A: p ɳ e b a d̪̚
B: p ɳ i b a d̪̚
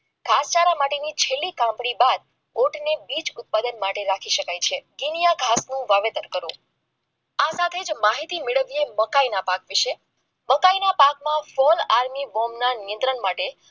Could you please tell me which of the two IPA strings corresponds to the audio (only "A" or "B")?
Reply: B